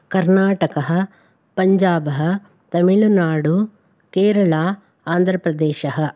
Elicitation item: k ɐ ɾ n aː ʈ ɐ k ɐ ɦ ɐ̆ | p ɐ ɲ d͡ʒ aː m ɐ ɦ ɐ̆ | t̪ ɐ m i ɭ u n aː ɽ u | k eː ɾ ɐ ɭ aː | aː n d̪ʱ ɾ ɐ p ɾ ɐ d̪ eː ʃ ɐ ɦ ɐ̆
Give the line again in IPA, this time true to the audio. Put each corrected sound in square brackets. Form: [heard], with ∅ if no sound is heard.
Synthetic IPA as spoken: k ɐ ɾ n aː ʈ ɐ k ɐ ɦ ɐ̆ | p ɐ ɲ d͡ʒ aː [b] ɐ ɦ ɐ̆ | t̪ ɐ m i ɭ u n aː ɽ u | k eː ɾ ɐ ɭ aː | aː n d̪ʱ ɾ ɐ p ɾ ɐ d̪ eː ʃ ɐ ɦ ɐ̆